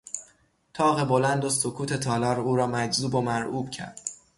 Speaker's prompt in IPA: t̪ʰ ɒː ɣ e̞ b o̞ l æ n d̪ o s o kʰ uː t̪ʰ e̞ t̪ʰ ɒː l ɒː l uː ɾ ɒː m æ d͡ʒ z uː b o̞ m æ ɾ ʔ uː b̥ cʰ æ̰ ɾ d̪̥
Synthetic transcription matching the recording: t̪ʰ ɒː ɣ e̞ b o̞ l æ n d̪ o s o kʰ uː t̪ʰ e̞ t̪ʰ ɒː l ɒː ɾ uː ɾ ɒː m æ d͡ʒ z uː b o̞ m æ ɾ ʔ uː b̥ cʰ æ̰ ɾ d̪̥